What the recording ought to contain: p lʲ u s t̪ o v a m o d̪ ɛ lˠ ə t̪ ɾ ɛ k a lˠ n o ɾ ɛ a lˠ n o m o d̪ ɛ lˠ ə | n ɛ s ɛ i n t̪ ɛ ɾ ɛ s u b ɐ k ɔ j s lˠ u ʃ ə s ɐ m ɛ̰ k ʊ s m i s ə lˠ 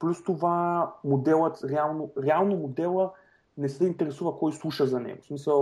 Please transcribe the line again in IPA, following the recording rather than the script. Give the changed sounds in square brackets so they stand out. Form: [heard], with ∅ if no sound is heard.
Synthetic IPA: p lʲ u s t̪ o v a m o d̪ ɛ lˠ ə t̪ ɾ ɛ [∅] a lˠ n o ɾ ɛ a lˠ n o m o d̪ ɛ lˠ ə | n ɛ s ɛ i n t̪ ɛ ɾ ɛ s u [v] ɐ k ɔ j s lˠ u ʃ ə [z] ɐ [n] ɛ̰ [ɡ] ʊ s m i s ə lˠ